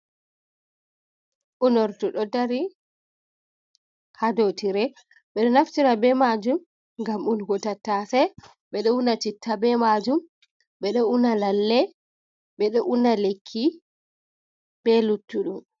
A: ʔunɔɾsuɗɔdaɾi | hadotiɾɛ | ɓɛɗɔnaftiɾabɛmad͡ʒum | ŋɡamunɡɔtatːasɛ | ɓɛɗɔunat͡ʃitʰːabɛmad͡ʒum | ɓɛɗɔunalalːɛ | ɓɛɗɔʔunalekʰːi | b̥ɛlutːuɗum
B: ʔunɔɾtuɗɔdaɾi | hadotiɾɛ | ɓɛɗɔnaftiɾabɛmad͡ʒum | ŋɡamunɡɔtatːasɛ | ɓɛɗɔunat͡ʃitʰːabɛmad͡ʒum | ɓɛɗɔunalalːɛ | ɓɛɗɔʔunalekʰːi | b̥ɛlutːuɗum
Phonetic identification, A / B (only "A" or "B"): B